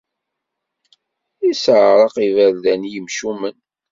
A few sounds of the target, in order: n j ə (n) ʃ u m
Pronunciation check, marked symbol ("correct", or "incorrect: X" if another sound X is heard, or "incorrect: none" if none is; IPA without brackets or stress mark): incorrect: m